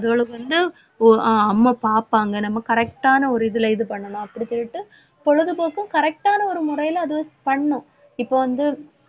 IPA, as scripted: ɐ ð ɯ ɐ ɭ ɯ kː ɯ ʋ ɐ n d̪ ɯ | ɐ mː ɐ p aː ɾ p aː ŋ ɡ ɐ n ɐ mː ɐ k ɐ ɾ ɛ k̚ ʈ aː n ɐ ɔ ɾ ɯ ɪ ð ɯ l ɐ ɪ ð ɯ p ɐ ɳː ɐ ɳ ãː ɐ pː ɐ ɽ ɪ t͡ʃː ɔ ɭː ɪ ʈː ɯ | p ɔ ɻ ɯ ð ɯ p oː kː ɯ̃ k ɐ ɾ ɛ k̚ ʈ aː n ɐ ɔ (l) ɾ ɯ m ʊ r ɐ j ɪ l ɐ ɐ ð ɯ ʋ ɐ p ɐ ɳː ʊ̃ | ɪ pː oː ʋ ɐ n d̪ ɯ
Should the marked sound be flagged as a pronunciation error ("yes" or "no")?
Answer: yes